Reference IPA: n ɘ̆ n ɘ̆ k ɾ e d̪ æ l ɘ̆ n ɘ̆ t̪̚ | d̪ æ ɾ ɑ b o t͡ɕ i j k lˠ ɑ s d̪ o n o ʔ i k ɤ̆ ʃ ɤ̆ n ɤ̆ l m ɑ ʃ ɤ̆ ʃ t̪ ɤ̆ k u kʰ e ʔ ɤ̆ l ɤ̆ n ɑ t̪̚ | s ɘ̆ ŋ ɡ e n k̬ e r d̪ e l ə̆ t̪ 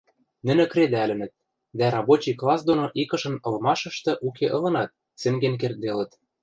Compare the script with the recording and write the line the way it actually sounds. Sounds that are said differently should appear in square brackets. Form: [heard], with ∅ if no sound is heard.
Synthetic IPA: n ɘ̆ n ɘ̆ k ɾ e d̪ æ l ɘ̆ n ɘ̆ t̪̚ | d̪ æ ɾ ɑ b o t͡ɕ i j k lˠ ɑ s d̪ o n o ʔ i k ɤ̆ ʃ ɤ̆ n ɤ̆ l m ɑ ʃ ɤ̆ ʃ t̪ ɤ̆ [ʔ] u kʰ e ʔ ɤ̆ l ɤ̆ n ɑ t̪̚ | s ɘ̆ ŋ ɡ e n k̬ e r d̪ e l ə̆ t̪